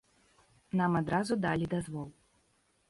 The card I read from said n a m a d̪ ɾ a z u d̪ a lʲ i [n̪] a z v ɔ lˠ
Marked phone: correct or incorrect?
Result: incorrect